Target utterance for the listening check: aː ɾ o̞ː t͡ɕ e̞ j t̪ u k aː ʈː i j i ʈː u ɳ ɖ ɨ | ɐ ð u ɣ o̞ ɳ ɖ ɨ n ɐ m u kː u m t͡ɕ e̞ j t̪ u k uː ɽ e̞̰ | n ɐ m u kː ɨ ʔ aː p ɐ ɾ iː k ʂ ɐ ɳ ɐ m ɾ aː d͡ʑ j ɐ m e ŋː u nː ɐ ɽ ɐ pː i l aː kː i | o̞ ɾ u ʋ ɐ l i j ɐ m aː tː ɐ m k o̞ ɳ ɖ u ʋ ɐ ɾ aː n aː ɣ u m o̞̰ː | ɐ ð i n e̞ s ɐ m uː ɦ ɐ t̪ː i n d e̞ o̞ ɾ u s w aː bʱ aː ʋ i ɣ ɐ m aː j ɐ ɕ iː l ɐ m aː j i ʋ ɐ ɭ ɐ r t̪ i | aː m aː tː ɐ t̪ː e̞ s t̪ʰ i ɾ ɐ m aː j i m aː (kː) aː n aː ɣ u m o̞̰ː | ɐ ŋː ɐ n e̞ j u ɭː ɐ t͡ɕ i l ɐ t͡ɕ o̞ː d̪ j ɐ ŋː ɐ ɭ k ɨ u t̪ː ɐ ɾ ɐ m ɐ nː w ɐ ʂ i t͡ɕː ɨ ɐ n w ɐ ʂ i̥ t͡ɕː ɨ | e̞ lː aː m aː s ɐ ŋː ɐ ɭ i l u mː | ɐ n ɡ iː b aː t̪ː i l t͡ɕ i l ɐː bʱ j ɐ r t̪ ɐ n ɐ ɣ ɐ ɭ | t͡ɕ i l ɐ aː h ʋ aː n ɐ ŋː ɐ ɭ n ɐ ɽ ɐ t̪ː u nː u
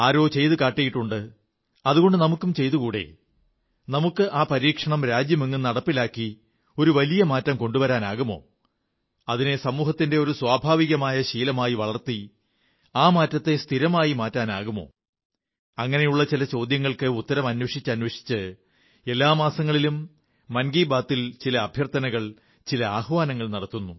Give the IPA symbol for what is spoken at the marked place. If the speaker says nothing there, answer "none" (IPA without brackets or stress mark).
tː